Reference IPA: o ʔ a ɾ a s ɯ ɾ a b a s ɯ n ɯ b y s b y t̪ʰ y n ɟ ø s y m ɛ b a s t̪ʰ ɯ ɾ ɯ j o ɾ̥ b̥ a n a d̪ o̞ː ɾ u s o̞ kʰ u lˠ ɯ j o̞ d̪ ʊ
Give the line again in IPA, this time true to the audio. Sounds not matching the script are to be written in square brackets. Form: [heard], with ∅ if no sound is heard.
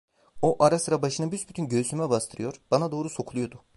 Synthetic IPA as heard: o ʔ a ɾ a s ɯ ɾ a b a [ʃ] ɯ n ɯ b y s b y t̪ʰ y n ɟ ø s y m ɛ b a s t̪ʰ ɯ ɾ ɯ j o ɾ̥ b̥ a n a d̪ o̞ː ɾ u s o̞ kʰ u lˠ [u] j o̞ d̪ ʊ